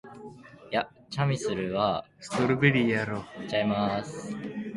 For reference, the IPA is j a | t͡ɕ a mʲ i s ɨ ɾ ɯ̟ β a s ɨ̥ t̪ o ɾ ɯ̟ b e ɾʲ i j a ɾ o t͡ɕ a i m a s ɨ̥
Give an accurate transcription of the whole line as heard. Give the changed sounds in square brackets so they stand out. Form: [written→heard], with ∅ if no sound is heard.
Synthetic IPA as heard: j a | t͡ɕ a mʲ i s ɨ ɾ ɯ̟ β a s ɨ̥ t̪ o ɾ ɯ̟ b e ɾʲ i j a ɾ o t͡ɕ a i m a s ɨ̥